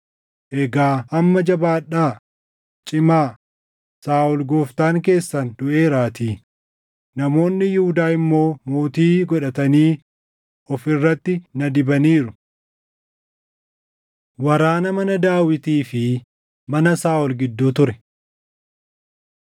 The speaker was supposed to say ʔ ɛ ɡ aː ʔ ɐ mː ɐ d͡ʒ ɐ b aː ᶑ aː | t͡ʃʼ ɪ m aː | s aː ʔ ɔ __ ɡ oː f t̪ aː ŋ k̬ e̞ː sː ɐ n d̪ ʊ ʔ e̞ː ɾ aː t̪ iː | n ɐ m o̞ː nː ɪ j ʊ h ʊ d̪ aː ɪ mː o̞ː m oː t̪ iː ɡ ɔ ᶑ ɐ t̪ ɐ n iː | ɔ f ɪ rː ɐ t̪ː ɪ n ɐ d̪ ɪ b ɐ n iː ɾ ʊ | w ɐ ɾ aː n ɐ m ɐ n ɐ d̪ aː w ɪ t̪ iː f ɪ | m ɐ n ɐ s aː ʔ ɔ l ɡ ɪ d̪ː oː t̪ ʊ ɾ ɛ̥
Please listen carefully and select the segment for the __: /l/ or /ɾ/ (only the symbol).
l